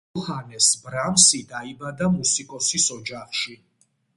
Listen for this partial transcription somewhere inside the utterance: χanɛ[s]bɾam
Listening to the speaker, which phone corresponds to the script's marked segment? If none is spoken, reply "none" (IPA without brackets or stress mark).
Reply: s